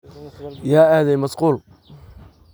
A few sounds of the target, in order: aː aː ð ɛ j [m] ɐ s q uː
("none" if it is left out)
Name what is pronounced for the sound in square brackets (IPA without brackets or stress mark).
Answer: m